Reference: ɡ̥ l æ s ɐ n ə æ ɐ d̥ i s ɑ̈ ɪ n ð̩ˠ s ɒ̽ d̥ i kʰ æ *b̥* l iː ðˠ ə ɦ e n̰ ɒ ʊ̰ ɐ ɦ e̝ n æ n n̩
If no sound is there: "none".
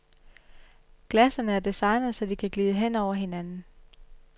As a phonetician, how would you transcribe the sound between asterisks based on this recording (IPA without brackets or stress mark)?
ɡ̥